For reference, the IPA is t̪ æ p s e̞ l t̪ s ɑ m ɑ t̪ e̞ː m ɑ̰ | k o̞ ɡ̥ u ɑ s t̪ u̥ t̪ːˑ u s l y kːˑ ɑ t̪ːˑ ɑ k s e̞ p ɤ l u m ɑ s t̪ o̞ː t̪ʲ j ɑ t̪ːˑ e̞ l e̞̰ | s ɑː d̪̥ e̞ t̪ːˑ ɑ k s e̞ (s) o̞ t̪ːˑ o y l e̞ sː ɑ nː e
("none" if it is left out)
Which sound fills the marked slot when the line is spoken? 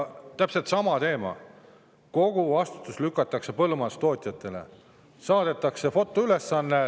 f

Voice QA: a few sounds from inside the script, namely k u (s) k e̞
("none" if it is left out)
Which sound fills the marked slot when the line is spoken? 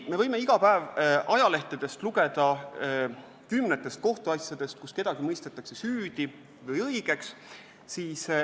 s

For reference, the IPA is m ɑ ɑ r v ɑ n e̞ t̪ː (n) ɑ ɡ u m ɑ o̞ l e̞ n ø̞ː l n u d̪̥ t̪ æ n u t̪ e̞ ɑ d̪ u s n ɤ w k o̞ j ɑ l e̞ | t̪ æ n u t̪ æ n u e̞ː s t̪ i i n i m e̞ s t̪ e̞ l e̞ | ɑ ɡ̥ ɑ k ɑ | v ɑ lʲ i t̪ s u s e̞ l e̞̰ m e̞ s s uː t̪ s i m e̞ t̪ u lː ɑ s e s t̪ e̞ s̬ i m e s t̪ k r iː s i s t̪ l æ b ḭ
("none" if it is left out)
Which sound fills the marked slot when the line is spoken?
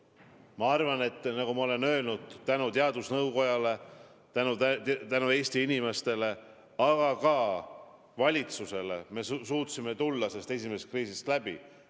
n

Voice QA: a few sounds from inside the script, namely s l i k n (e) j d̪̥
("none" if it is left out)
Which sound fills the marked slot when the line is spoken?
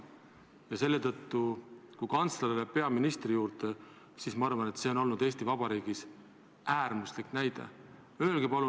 æ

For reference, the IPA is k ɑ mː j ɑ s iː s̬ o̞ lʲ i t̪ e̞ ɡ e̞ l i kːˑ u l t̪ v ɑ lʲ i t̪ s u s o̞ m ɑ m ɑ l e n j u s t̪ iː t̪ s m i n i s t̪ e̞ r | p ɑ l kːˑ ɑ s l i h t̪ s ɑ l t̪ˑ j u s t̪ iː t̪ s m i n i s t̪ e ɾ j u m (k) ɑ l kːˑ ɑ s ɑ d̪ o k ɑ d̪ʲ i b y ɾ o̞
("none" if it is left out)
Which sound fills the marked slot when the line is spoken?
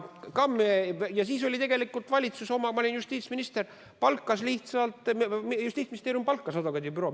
p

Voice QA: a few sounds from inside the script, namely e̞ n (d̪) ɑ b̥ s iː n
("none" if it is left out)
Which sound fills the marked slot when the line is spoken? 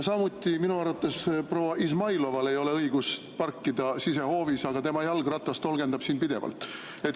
d̪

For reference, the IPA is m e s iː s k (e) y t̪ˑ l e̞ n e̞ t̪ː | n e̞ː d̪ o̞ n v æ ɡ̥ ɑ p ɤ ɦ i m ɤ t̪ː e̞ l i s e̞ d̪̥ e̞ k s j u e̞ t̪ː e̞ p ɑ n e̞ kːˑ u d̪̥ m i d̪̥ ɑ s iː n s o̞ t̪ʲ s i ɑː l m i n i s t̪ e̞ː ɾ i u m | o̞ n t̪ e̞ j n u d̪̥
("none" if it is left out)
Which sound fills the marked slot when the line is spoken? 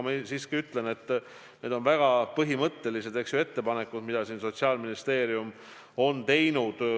i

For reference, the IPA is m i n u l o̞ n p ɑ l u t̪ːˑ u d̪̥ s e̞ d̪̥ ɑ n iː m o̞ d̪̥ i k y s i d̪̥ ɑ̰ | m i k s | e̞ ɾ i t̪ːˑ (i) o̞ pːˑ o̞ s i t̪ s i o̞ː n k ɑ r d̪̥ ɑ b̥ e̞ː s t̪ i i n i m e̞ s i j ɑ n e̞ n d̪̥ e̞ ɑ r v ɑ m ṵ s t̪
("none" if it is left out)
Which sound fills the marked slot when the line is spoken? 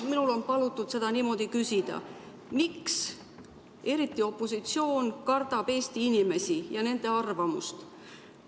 i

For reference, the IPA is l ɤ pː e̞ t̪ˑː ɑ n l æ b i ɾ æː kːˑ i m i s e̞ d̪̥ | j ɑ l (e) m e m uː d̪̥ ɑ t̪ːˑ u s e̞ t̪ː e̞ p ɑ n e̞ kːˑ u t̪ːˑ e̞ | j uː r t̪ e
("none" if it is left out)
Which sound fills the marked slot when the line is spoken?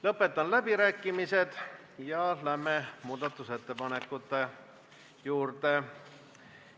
æ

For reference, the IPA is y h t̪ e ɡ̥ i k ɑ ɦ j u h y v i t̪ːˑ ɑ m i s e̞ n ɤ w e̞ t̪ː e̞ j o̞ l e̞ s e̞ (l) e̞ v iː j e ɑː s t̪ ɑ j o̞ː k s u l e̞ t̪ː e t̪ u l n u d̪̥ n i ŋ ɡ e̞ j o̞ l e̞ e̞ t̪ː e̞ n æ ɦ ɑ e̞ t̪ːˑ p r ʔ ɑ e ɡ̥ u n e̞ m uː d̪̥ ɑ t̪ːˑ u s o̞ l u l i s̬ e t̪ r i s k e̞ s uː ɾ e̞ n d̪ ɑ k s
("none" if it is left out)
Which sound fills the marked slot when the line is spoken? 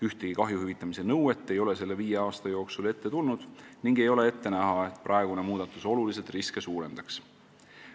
lː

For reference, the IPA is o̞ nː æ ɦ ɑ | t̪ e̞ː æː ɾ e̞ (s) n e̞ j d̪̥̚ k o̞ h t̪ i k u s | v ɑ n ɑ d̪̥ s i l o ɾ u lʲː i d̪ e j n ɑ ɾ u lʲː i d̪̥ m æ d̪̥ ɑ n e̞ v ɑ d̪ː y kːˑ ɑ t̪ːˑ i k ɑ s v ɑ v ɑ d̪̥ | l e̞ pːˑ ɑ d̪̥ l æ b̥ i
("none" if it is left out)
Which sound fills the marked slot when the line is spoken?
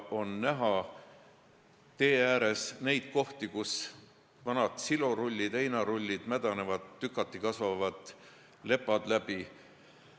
s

